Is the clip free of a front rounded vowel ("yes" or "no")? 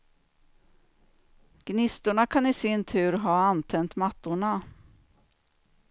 yes